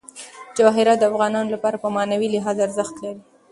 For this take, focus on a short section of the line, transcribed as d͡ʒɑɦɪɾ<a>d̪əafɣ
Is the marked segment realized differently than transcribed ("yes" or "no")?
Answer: no